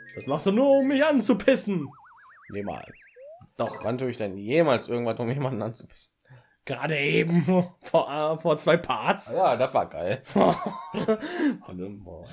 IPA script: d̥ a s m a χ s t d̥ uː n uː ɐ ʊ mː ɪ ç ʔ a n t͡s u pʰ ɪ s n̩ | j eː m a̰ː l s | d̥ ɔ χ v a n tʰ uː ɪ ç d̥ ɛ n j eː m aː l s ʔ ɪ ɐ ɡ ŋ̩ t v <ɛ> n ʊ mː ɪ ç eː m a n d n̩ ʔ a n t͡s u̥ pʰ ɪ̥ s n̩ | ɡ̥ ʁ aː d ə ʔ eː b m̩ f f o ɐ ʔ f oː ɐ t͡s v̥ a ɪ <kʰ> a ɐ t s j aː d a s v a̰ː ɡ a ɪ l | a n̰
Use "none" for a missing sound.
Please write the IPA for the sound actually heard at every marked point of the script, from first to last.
a, pʰ

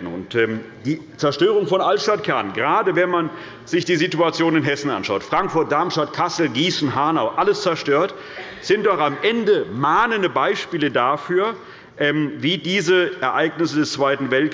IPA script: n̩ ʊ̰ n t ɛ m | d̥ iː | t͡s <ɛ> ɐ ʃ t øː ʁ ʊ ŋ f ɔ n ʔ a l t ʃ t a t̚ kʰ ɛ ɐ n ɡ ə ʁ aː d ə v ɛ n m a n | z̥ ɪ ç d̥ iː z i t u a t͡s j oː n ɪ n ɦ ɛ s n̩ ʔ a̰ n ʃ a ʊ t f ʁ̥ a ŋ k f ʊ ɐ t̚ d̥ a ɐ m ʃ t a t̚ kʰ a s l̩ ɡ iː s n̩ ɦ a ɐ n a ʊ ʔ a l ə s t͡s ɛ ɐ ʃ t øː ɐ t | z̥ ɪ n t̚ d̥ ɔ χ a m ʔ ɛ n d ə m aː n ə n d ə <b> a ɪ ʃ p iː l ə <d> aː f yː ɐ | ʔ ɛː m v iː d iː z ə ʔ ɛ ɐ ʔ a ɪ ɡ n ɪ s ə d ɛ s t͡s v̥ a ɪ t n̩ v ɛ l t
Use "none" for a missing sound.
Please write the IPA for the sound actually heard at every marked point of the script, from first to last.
ɛ, b, d

